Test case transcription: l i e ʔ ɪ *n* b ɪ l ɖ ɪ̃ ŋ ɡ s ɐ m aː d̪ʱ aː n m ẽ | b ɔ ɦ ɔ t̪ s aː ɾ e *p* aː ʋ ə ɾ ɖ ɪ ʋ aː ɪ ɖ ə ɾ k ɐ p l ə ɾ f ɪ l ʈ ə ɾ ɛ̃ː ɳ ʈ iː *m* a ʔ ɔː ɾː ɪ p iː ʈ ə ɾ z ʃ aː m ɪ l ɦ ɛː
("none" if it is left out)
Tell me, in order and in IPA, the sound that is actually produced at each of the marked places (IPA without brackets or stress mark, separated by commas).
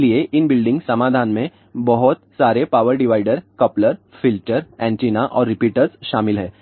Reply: n, p, n